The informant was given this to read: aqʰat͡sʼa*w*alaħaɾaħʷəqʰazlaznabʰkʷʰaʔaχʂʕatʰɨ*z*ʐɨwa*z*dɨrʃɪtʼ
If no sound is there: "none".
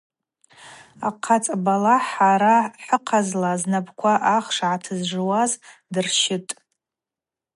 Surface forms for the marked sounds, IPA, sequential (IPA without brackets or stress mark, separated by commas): b, z, z